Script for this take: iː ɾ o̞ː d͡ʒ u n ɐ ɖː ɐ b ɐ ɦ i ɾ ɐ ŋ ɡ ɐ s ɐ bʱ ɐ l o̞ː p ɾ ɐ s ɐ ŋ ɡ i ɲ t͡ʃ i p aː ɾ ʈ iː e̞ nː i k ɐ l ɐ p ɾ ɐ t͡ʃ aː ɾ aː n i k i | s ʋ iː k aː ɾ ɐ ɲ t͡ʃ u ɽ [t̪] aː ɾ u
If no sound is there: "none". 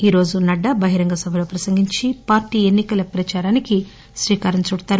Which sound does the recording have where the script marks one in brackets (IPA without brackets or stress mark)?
t̪